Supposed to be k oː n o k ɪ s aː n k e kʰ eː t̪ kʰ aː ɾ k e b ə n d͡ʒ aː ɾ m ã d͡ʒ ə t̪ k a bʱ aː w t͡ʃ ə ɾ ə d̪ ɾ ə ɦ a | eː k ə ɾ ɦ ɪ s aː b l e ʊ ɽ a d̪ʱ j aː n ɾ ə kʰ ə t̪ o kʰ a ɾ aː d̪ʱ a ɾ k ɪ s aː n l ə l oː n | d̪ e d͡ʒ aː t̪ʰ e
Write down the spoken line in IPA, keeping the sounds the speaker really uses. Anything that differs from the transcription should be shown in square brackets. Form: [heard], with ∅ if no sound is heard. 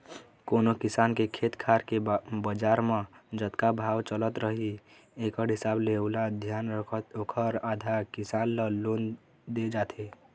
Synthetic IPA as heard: k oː n o k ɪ s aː n k e kʰ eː t̪ kʰ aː ɾ k e b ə [∅] d͡ʒ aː ɾ m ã d͡ʒ ə t̪ k a bʱ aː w t͡ʃ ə [l] ə [t̪] ɾ ə ɦ [i] | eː k ə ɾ ɦ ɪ s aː b l e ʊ [l] a d̪ʱ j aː n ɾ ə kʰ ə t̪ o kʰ [ə] ɾ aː d̪ʱ a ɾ k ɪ s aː n l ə l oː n | d̪ e d͡ʒ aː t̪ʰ e